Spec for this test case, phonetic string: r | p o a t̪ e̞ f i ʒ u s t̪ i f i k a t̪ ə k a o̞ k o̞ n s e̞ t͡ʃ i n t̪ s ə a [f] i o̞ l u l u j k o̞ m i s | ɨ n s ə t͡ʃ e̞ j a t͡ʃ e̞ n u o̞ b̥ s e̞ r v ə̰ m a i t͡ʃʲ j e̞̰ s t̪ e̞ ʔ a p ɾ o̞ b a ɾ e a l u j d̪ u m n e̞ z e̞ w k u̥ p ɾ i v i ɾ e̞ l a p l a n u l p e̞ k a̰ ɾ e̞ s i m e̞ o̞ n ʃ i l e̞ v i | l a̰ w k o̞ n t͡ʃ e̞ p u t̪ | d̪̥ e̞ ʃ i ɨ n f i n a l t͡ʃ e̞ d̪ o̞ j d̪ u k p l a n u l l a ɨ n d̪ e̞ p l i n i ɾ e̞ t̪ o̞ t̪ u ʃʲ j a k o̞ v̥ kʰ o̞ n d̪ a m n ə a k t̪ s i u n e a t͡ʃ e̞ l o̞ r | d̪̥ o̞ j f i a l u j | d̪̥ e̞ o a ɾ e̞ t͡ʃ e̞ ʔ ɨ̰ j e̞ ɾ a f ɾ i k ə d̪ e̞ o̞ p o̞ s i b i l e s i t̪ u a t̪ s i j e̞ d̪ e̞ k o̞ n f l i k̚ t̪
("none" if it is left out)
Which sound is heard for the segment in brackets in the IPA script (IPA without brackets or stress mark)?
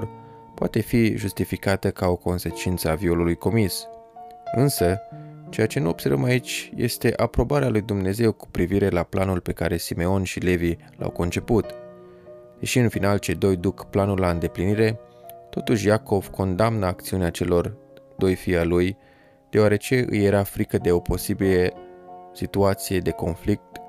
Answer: v